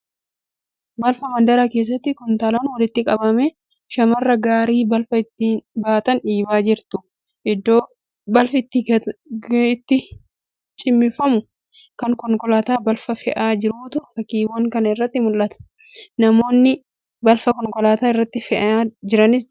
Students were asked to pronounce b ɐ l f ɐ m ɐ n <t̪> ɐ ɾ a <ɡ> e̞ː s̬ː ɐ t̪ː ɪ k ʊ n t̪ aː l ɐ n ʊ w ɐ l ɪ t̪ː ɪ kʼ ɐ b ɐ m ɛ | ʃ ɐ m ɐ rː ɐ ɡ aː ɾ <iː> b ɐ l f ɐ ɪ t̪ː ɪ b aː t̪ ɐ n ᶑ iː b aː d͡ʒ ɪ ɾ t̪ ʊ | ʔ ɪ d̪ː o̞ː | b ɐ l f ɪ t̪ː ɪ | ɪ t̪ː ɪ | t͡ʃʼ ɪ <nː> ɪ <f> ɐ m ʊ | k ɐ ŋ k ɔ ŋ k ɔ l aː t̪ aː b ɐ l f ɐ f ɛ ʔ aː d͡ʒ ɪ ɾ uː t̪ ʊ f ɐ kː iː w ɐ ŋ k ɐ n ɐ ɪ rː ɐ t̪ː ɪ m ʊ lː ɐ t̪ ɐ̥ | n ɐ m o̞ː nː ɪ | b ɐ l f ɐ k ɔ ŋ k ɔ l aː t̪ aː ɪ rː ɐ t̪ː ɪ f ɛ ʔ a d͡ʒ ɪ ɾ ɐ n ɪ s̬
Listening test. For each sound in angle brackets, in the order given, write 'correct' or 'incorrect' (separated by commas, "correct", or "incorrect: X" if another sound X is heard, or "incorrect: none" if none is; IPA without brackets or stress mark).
incorrect: d̪, incorrect: k, correct, incorrect: mː, correct